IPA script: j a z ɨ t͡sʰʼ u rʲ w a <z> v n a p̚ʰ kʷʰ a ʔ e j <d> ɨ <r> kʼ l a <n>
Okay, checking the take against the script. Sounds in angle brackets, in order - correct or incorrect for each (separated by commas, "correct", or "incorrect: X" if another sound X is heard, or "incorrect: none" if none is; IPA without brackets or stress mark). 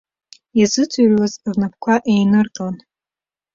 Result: correct, incorrect: n, correct, correct